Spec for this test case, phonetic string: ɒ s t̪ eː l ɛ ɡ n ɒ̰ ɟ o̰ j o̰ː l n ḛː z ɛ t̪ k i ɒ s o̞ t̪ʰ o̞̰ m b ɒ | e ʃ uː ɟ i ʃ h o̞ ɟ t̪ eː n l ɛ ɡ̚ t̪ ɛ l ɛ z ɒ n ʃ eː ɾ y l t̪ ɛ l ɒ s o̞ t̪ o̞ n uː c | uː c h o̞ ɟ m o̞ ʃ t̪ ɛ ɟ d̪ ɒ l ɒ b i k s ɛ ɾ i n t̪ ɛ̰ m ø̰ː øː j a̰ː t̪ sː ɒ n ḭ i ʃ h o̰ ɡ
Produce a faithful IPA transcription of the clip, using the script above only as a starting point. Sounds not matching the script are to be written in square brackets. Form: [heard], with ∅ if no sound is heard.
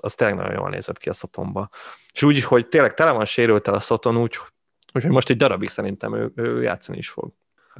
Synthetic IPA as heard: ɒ s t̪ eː l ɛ ɡ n ɒ̰ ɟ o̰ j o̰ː l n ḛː z ɛ t̪ k i ɒ s o̞ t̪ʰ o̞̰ m b ɒ | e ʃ uː ɟ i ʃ h o̞ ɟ t̪ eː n l ɛ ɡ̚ t̪ ɛ l ɛ [v] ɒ n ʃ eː ɾ y l t̪ ɛ l ɒ s o̞ t̪ o̞ n uː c | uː c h o̞ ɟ m o̞ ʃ t̪ ɛ ɟ d̪ ɒ [ɾ] ɒ b i k s ɛ ɾ i n t̪ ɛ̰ m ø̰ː øː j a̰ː t̪ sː ɒ n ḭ i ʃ [f] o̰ ɡ